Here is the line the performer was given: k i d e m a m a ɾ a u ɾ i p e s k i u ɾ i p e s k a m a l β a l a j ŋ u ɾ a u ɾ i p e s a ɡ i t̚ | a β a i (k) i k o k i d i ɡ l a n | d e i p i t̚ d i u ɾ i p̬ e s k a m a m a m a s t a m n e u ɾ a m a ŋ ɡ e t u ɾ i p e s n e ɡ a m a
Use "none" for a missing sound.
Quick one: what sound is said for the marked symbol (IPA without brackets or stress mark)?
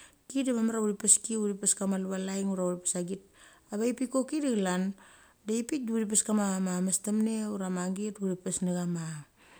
p